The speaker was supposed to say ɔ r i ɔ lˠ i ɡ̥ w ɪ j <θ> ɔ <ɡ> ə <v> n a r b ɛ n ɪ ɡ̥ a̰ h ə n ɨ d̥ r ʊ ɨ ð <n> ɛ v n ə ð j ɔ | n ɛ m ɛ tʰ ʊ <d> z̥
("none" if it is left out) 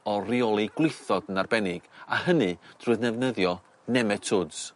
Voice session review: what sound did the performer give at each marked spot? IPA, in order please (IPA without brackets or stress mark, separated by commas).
θ, d, none, n, d